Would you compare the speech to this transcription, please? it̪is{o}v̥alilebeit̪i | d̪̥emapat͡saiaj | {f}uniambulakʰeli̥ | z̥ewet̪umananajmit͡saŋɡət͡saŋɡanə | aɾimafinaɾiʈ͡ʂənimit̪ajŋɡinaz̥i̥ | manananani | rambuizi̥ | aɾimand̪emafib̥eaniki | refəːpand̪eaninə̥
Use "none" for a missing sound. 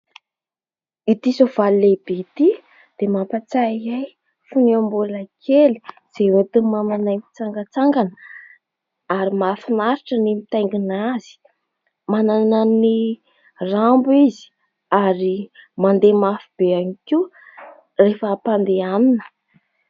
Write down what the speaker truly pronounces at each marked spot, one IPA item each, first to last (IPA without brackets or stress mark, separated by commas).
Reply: o, f